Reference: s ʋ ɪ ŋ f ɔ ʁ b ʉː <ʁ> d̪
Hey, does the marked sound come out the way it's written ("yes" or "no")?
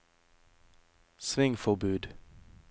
no